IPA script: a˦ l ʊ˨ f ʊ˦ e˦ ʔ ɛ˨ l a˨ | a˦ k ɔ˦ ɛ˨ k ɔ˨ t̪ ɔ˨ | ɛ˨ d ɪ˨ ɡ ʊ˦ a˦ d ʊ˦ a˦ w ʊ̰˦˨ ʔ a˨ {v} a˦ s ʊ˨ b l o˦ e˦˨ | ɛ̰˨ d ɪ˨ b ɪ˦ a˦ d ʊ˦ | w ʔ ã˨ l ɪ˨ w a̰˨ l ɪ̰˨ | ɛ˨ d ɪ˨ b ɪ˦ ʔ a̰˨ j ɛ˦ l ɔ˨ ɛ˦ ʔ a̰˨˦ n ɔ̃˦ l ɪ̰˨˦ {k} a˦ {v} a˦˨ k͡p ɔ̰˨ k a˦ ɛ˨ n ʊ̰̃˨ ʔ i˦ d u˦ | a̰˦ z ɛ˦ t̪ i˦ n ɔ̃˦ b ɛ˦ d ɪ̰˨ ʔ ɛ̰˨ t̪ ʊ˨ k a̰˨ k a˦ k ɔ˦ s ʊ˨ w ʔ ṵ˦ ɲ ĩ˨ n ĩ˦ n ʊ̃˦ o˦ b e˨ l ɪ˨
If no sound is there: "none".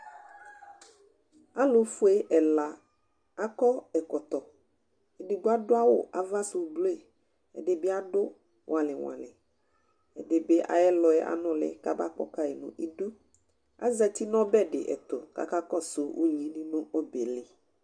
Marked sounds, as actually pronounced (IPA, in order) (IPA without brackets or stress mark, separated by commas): v, k, b